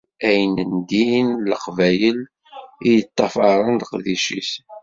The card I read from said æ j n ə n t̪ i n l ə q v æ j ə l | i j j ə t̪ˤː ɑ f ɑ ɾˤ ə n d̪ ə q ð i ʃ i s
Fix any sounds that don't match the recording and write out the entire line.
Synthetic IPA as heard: æ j n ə n d̪ i n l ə q v æ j ə l | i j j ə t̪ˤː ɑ f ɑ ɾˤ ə n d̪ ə q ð i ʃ i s